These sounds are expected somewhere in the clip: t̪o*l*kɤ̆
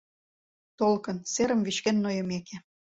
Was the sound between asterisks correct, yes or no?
yes